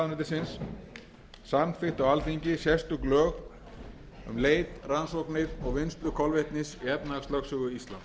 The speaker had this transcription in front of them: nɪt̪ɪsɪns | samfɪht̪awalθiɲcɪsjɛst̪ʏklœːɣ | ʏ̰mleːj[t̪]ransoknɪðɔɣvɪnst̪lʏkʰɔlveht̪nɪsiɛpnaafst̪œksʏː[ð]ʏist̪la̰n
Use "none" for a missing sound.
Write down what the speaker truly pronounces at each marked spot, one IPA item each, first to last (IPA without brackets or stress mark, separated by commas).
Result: t̪, ɣ